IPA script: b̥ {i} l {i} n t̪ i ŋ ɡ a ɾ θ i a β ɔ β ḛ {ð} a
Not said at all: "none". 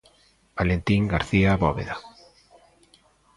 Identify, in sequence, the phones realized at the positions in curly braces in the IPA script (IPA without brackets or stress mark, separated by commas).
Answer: a, e, ð